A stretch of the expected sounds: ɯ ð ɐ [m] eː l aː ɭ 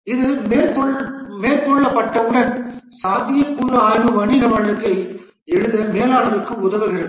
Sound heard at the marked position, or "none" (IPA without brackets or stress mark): m